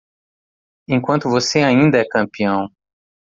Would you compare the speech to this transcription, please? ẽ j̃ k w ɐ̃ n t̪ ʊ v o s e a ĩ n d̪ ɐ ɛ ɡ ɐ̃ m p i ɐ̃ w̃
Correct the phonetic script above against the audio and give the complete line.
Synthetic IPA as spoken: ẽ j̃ k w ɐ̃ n t̪ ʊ v o s e a ĩ n d̪ ɐ ɛ k ɐ̃ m p i ɐ̃ w̃